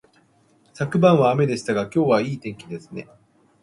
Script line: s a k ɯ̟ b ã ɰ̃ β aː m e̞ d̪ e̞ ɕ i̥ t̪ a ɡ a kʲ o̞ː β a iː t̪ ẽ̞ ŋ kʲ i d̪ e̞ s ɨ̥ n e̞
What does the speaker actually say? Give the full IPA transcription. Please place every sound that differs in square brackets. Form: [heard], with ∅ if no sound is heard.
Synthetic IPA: s a k ɯ̟ b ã ɰ̃ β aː m e̞ d̪ e̞ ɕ i̥ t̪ a ɡ a kʲ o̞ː β a iː t̪ ẽ̞ ŋ kʲ i d̪ e̞ s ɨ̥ n e̞